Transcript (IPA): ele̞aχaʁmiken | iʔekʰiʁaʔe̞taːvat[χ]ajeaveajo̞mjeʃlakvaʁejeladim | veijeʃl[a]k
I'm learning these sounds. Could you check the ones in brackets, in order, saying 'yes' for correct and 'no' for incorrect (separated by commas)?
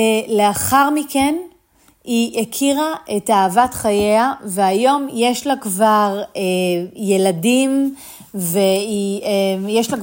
yes, yes